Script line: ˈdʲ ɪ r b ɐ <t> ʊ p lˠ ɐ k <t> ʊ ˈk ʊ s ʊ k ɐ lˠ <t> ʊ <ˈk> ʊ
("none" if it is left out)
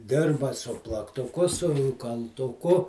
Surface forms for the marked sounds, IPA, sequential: s, t, t, k

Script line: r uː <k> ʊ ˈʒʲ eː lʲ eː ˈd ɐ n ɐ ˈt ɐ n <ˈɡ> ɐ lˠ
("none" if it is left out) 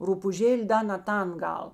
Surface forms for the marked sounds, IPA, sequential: p, ɡ

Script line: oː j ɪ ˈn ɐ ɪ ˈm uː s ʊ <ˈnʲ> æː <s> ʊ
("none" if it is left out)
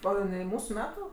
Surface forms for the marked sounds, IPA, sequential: mʲ, t

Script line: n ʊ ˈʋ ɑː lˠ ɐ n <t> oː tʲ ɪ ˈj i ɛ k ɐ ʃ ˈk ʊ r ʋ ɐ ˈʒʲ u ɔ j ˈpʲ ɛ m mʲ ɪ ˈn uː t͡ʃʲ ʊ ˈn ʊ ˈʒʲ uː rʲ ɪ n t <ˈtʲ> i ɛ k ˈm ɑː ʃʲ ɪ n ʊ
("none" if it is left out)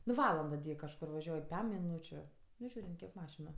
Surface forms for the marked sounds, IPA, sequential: d, kʲ

